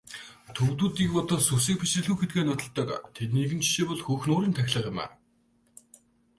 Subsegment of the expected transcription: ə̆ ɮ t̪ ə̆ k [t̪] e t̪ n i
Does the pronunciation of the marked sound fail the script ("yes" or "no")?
yes